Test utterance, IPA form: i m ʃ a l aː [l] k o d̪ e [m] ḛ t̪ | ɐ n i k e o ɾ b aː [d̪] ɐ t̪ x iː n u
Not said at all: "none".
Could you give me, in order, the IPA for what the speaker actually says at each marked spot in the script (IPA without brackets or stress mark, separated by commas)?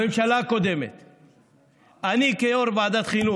none, m, d̪